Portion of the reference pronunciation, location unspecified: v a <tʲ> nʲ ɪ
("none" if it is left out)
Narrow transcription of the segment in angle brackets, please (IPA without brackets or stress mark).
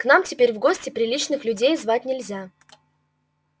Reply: tʲ